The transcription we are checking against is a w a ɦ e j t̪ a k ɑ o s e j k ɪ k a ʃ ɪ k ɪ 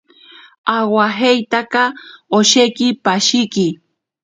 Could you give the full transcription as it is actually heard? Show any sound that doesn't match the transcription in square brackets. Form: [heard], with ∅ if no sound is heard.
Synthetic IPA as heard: a w a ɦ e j t̪ a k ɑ o [ʃ] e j k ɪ [p] a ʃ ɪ k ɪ